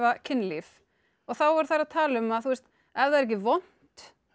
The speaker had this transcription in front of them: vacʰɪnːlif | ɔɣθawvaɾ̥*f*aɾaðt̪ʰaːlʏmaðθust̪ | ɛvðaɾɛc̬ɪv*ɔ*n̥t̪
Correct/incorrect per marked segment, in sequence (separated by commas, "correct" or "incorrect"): incorrect, correct